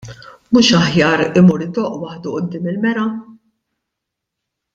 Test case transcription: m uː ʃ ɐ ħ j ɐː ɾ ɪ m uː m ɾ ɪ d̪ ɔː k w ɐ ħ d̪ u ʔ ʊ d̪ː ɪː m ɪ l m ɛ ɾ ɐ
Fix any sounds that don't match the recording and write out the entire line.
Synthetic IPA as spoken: m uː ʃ ɐ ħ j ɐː ɾ ɪ m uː ɾ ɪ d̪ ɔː ʔ w ɐ ħ d̪ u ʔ ʊ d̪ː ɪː m ɪ l m ɛ ɾ ɐ